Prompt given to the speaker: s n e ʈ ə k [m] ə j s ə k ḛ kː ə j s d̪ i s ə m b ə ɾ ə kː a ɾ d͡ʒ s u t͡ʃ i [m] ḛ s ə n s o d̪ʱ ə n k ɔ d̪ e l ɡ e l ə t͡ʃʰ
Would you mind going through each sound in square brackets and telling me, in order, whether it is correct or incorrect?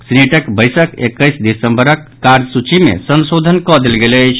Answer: incorrect: b, correct

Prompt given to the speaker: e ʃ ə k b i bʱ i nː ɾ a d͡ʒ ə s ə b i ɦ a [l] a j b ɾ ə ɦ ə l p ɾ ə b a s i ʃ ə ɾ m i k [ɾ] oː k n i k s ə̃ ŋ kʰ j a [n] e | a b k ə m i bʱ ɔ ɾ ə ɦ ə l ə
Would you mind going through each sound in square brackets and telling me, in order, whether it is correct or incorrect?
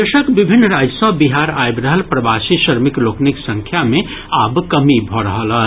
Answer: incorrect: ɾ, incorrect: l, incorrect: m

